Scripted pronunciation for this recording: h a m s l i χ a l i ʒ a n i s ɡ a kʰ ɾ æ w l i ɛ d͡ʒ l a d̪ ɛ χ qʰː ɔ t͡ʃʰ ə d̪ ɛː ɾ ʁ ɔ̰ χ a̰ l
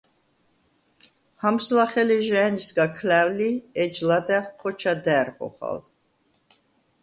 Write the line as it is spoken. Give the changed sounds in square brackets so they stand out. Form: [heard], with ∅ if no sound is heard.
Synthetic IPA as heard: h a m s l [a] χ [ɛ] l i ʒ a n i s ɡ a kʰ [l] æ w l i ɛ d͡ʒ l a d̪ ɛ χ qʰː ɔ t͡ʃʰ [a] d̪ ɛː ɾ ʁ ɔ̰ χ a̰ l